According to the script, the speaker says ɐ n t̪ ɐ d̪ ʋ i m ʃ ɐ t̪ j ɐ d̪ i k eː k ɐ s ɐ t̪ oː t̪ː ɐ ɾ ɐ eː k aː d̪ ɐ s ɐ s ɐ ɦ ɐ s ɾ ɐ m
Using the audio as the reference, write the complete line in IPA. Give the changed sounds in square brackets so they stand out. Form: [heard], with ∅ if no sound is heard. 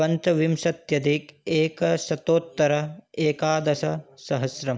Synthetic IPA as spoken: ɐ n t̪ ɐ [∅] ʋ i m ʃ ɐ t̪ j ɐ d̪ i k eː k ɐ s ɐ t̪ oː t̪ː ɐ ɾ ɐ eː k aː d̪ ɐ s ɐ s ɐ ɦ ɐ s ɾ ɐ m